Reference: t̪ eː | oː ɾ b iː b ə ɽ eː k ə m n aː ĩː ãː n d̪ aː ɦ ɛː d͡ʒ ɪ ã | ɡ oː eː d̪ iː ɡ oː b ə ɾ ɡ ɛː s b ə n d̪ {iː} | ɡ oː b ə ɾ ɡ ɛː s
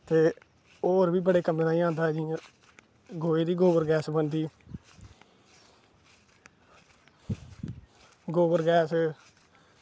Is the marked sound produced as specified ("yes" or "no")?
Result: yes